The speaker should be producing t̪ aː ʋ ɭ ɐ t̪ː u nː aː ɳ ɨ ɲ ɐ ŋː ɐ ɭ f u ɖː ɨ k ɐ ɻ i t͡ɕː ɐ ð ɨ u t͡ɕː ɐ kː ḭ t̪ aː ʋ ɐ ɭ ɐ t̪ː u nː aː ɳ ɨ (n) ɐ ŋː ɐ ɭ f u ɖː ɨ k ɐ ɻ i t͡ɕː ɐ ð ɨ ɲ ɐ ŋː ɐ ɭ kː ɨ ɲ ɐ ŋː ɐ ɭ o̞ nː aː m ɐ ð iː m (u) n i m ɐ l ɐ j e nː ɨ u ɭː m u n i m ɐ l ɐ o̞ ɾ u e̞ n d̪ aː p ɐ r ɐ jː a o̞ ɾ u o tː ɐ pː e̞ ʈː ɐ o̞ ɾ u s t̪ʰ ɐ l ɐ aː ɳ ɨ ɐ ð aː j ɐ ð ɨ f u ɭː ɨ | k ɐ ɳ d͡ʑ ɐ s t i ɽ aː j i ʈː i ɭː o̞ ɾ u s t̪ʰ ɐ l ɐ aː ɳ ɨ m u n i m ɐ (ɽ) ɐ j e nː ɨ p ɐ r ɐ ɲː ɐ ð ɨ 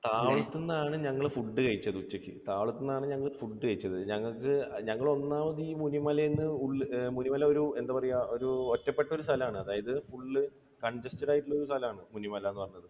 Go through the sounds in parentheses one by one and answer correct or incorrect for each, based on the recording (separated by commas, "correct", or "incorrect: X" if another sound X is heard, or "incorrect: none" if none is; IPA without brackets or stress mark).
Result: incorrect: ɲ, correct, incorrect: l